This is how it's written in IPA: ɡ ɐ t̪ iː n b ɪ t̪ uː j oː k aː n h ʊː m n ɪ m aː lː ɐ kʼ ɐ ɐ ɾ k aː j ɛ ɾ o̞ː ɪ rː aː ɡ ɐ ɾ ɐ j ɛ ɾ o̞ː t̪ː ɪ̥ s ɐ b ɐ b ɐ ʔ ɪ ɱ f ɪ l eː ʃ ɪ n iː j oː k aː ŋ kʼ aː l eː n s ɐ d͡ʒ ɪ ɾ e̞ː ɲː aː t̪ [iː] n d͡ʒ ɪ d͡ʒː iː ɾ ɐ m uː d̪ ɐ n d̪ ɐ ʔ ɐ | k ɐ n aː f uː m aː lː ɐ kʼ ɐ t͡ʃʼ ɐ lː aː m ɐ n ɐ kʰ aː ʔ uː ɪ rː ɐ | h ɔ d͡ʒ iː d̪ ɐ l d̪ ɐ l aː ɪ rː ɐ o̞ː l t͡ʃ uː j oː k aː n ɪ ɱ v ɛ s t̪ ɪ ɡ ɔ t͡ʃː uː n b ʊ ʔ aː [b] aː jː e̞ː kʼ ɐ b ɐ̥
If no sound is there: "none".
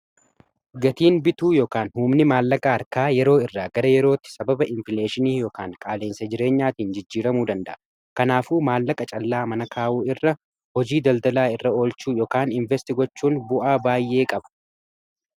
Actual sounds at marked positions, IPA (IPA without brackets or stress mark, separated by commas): iː, b